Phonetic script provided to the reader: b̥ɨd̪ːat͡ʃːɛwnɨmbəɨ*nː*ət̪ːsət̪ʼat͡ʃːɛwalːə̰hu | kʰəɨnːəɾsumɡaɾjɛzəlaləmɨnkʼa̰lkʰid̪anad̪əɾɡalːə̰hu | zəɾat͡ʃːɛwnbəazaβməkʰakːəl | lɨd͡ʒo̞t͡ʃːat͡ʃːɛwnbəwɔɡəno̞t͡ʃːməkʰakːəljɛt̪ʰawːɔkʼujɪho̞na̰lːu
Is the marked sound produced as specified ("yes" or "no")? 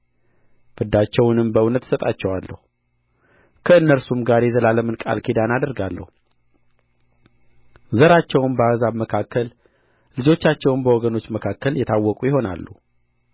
no